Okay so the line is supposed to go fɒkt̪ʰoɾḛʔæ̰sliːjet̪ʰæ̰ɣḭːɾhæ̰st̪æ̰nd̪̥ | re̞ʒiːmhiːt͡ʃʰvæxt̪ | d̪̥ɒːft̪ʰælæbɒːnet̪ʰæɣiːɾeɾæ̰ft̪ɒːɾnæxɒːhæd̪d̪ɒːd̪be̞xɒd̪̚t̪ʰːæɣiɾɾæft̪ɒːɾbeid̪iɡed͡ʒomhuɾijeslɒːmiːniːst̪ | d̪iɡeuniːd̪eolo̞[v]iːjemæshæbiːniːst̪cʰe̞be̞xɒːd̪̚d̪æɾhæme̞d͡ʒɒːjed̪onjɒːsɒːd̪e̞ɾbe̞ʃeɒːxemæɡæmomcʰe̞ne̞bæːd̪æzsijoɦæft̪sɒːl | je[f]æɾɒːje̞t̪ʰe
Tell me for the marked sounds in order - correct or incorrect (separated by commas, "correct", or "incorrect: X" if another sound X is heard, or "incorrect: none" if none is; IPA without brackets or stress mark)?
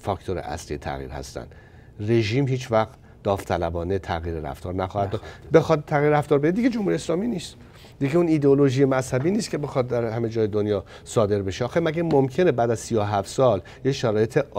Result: incorrect: ʒ, incorrect: ʃ